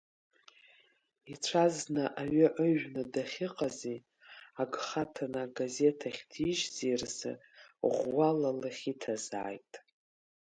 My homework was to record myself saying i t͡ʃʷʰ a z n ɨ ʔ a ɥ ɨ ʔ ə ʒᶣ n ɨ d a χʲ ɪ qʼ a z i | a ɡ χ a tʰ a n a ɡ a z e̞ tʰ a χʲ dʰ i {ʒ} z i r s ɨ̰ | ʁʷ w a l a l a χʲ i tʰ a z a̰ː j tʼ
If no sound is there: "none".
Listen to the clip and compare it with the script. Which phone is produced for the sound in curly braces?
ʒ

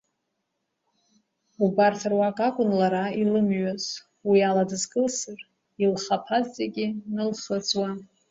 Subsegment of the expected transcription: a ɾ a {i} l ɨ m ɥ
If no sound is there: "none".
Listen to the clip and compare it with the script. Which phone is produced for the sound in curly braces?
i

